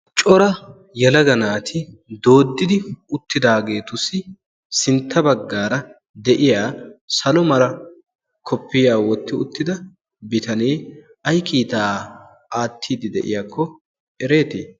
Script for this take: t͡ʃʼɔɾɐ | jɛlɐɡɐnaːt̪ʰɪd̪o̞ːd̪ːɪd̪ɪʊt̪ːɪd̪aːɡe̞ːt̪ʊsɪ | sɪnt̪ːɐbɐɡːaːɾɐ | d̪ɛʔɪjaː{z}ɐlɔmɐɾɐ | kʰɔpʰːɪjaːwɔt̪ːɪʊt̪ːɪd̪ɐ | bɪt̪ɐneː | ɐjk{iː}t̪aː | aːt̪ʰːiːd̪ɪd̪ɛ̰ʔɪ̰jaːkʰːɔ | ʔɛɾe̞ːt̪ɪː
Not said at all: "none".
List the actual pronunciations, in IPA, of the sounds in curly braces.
s, iː

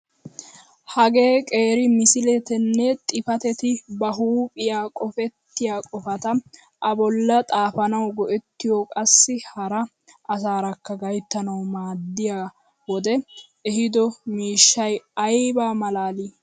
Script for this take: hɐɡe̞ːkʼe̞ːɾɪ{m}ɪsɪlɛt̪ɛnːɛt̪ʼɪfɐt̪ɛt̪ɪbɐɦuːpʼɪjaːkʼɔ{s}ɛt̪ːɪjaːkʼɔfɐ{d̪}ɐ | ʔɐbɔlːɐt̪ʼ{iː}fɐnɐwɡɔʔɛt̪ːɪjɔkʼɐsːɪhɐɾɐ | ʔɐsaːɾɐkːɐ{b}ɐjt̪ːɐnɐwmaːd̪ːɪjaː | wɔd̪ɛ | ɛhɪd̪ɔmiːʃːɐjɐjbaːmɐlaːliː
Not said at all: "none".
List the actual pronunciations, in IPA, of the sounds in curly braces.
m, f, t̪, aː, ɡ

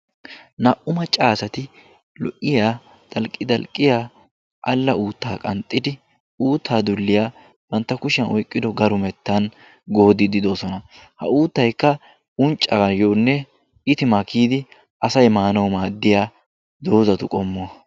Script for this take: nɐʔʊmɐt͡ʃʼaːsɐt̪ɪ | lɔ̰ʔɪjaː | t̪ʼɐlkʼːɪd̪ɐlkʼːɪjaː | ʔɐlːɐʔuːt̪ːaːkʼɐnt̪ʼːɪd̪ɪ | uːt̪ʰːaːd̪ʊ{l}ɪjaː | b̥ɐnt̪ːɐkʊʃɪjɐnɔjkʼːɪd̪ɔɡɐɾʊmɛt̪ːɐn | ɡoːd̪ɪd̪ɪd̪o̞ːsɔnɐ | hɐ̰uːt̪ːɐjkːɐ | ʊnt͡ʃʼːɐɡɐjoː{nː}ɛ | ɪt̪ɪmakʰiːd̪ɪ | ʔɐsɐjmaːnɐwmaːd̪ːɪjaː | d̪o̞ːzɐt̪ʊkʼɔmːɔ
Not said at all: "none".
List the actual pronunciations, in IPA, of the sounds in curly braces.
lː, nː

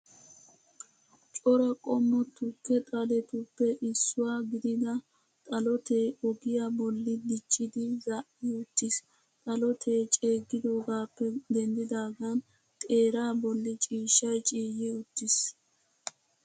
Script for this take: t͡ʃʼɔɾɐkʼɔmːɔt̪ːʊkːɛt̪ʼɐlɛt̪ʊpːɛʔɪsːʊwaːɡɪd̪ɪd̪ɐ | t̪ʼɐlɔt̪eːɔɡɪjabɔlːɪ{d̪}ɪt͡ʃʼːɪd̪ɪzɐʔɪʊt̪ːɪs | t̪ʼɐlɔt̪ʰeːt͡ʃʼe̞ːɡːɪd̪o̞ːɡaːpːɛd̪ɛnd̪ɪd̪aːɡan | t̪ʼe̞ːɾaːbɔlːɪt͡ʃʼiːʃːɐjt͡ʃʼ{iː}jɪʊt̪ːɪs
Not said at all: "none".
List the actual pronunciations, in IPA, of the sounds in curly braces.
d̪, iː

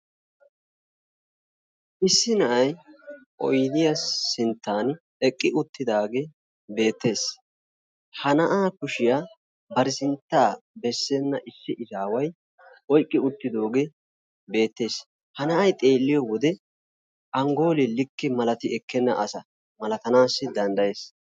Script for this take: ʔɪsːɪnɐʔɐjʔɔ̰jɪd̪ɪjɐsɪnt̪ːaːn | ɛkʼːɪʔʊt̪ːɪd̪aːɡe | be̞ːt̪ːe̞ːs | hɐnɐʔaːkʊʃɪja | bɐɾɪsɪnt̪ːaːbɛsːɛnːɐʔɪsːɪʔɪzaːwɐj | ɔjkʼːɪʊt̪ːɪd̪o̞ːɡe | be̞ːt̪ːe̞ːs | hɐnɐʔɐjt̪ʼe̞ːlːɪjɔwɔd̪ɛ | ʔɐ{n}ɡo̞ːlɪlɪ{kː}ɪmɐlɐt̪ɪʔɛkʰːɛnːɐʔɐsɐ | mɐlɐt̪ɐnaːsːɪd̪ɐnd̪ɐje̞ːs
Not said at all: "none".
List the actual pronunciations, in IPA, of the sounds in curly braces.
ŋ, kː

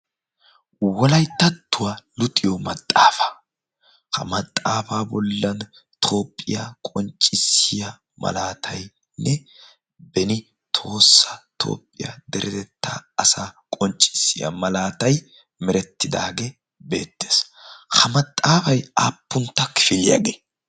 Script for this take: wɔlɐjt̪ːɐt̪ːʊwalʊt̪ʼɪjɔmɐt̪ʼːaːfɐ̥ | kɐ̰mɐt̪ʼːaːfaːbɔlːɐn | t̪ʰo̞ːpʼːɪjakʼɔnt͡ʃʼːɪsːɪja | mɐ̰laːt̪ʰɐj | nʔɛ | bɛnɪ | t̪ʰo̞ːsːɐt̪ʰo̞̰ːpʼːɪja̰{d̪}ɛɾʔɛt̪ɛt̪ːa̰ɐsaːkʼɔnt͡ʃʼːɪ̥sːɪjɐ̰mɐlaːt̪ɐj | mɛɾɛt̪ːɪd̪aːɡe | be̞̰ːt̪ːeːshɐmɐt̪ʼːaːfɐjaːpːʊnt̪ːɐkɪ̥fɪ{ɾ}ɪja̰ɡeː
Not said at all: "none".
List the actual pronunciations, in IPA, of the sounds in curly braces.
d̪, l

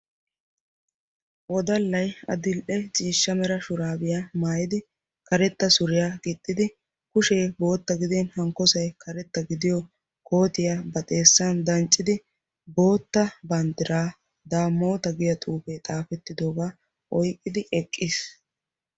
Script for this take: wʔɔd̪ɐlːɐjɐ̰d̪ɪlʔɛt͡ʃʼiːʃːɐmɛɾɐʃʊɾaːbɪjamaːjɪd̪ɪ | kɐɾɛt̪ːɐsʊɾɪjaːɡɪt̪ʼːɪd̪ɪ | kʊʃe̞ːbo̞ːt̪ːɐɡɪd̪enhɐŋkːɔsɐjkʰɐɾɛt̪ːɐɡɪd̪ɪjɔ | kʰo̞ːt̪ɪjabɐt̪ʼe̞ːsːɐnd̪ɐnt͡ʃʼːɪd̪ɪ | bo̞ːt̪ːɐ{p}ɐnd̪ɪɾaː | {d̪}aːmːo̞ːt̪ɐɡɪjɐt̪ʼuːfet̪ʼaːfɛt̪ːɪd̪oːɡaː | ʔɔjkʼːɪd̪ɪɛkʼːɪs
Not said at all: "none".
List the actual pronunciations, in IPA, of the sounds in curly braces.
b, d̪

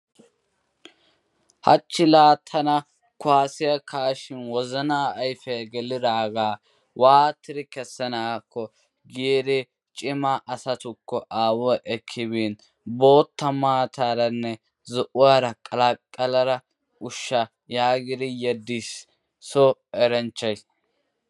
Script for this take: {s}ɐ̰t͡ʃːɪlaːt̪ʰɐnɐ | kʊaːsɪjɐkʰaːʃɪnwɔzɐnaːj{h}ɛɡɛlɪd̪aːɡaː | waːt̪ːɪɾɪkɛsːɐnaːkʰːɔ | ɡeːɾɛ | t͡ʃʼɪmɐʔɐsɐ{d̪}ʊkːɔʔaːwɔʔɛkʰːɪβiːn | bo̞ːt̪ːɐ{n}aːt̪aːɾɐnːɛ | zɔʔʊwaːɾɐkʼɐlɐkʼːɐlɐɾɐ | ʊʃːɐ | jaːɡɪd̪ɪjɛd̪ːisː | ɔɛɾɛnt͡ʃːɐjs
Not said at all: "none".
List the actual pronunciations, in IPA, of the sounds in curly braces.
h, f, t̪, m

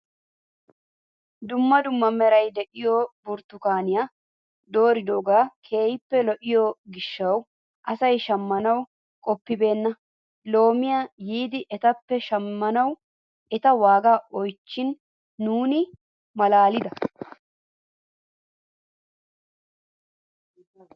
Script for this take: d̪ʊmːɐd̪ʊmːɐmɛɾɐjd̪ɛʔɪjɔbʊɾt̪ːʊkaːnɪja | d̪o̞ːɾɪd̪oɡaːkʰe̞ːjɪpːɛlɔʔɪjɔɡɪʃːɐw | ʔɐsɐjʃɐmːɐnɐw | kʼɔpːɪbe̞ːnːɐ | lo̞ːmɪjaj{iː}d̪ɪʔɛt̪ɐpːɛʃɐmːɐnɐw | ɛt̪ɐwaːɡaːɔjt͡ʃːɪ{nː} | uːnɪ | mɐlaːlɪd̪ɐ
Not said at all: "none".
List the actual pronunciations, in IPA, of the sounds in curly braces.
iː, nː

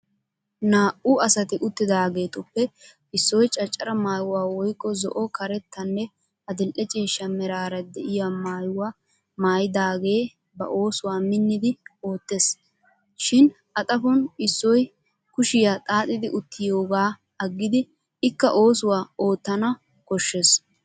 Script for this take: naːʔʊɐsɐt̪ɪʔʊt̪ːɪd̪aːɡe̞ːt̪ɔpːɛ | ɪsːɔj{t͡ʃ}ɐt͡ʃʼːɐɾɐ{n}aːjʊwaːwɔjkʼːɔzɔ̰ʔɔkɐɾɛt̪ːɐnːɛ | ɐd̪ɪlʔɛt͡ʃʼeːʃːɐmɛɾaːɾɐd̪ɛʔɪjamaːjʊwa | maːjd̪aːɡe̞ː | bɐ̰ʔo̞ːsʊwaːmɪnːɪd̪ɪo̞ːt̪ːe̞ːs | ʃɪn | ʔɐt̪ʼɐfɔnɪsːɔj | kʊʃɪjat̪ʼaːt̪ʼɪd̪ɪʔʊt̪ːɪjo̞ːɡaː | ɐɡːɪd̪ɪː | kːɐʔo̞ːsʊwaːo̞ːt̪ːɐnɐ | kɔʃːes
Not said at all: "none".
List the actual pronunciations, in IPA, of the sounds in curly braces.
t͡ʃʼ, m

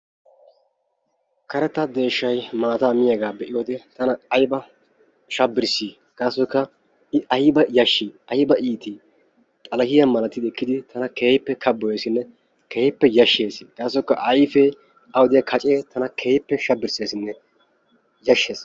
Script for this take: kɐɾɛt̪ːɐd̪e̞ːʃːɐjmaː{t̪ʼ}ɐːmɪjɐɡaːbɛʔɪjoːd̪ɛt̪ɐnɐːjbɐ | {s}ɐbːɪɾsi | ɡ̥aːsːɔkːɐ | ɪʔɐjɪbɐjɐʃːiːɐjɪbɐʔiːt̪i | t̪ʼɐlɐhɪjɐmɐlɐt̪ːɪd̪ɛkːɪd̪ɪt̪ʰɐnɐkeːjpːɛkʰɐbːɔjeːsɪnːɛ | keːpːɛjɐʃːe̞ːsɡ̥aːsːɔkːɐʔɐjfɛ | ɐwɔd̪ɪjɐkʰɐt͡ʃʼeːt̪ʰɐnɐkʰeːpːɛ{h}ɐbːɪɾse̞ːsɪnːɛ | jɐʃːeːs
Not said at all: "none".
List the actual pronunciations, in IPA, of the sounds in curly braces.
t̪, ʃ, ʃ

